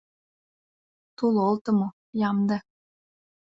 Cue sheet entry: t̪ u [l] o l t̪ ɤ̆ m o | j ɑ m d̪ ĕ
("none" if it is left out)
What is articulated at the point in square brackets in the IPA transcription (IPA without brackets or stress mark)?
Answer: l